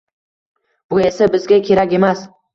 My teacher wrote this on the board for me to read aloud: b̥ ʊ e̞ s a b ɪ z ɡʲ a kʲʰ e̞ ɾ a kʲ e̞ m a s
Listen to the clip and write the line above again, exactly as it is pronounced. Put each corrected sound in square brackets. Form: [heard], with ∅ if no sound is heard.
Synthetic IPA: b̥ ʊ e̞ s a b ɪ z ɡʲ a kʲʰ e̞ ɾ a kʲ e̞ m a s